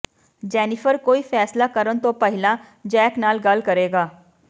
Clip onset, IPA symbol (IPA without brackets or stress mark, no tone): d͡ʒ